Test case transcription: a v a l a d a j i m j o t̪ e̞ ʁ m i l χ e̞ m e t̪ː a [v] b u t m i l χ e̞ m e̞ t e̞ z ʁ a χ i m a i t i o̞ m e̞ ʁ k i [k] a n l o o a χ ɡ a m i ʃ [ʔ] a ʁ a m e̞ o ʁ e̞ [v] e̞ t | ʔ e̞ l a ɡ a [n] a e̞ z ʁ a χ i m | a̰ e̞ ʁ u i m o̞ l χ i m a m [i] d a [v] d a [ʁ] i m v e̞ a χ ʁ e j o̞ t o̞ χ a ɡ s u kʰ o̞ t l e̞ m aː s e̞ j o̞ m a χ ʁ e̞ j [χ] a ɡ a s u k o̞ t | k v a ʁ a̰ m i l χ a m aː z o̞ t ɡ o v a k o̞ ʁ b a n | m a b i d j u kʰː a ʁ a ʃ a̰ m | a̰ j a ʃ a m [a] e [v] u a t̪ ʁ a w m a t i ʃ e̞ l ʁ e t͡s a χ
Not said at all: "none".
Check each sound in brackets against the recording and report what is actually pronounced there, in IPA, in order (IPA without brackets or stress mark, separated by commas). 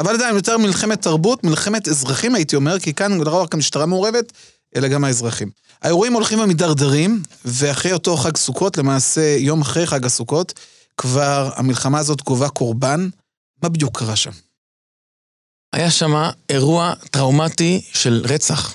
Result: ʁ, k, t, v, m, i, ʁ, ʁ, χ, a, ʁ